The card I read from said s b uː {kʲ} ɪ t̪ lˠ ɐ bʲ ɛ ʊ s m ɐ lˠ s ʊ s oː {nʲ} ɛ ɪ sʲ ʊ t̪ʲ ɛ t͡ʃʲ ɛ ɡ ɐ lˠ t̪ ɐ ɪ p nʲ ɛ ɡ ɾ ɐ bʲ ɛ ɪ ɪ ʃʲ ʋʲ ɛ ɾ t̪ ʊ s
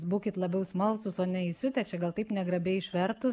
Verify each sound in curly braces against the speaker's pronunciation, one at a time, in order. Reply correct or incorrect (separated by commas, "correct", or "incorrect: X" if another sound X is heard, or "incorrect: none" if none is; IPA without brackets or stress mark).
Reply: correct, correct